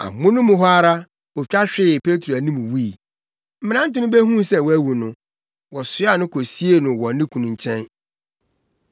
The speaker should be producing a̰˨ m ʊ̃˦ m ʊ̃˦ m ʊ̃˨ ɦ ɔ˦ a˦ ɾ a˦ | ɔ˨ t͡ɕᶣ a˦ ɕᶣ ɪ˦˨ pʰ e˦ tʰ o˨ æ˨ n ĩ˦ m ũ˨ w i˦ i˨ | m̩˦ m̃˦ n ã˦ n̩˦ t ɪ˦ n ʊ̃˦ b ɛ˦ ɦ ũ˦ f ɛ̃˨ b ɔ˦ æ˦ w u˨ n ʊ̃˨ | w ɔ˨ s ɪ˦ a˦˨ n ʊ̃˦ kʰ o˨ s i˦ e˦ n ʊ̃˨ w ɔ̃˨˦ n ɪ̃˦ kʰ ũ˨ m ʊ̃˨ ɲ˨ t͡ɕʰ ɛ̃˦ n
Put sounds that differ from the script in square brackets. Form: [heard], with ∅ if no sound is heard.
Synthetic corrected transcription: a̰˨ m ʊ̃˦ [n] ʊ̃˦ m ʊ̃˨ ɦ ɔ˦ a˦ ɾ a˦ | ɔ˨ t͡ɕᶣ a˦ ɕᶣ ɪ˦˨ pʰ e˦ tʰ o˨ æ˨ n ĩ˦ m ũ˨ w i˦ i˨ | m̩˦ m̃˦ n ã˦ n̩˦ t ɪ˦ n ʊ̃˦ b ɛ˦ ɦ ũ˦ [s] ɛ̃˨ [w] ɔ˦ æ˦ w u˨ n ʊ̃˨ | w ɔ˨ s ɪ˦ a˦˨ n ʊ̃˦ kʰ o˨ s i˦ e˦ n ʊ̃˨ w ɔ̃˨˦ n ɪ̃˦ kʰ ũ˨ [n] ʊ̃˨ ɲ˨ t͡ɕʰ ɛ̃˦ n

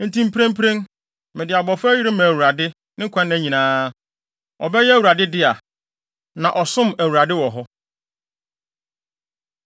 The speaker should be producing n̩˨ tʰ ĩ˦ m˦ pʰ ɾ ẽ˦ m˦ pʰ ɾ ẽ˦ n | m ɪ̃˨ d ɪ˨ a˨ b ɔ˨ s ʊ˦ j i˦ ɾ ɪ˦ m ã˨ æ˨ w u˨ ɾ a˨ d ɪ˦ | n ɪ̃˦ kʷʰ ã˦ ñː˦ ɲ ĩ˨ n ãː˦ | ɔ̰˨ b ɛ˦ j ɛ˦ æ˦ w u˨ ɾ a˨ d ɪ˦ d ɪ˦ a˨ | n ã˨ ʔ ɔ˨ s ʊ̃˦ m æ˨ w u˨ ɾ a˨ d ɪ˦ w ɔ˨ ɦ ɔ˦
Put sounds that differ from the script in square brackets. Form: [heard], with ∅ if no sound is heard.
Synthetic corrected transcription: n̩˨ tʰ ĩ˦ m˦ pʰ ɾ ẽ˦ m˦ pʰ ɾ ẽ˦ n | m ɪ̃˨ d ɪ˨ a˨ b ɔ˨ [f] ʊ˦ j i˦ ɾ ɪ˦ m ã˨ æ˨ w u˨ ɾ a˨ d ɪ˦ | n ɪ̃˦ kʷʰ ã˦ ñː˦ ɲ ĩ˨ n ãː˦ | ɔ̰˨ b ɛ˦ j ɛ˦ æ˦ w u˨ ɾ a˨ d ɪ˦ d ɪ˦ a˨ | n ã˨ ʔ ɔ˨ s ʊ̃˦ m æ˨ w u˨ ɾ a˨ d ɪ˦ w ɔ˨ ɦ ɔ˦

